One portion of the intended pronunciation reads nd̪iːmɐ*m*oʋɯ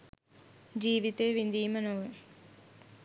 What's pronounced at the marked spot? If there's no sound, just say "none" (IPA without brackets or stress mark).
n